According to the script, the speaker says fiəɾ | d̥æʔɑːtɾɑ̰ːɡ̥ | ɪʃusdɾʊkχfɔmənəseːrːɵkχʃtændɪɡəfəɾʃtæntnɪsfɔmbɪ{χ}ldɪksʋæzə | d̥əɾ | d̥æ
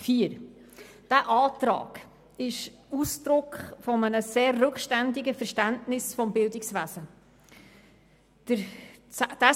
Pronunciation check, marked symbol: incorrect: none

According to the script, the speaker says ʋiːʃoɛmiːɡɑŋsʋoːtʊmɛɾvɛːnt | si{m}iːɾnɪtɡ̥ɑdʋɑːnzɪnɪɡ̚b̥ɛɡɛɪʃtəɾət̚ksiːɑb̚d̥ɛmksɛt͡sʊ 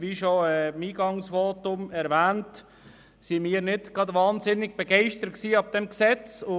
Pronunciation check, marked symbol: correct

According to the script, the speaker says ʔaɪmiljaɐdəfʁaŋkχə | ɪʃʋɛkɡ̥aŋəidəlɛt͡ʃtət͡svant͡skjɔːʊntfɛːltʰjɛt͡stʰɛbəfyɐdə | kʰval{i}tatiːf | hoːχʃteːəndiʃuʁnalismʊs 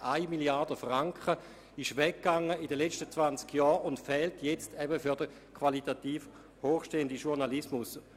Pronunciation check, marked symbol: correct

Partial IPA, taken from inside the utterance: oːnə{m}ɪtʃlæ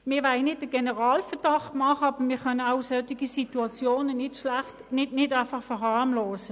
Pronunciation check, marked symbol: incorrect: n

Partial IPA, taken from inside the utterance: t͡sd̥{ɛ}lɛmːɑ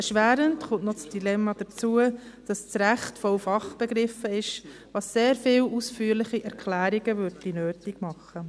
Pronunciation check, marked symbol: incorrect: i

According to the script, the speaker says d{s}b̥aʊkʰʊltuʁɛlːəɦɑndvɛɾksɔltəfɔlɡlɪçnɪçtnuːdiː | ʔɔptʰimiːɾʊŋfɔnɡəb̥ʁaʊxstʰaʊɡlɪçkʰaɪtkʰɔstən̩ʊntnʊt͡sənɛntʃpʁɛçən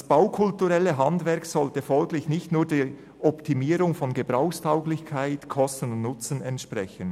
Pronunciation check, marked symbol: correct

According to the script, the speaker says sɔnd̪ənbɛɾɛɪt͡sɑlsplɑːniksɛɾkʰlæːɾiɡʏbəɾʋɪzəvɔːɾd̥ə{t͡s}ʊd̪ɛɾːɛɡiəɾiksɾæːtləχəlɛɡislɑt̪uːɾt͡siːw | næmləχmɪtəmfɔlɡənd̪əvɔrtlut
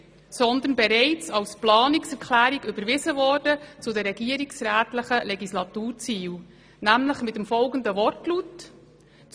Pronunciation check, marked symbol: correct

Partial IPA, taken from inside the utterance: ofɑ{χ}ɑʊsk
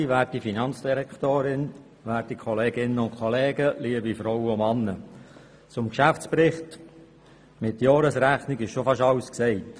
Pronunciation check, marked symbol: incorrect: ʃ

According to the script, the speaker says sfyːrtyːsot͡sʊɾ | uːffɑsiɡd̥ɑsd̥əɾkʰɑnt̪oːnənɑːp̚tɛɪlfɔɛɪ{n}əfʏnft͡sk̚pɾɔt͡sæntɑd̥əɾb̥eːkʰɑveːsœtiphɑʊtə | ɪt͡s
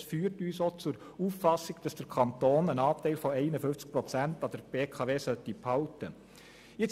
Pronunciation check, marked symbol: correct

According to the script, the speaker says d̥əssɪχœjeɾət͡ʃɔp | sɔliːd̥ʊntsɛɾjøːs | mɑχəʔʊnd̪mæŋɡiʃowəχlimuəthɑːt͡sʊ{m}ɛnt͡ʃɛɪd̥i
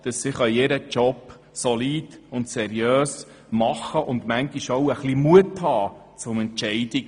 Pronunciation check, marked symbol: correct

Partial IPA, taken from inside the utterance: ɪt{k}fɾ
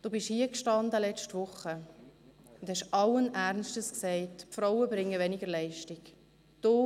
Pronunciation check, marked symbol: incorrect: p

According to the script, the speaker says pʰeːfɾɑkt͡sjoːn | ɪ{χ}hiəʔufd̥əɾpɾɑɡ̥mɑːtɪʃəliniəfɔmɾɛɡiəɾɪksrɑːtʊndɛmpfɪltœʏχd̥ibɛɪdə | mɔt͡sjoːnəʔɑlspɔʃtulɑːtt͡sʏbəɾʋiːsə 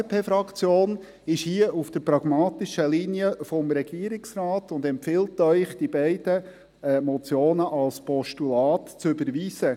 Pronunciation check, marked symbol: incorrect: ʃ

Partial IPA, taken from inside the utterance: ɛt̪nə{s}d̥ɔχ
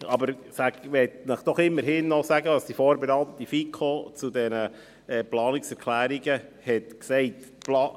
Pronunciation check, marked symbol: incorrect: χ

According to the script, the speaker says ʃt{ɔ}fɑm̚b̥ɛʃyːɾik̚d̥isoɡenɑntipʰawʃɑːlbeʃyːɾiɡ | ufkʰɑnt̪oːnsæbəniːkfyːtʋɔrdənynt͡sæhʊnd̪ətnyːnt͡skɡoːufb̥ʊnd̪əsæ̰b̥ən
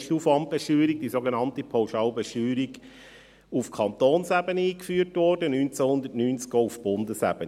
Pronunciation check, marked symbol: incorrect: u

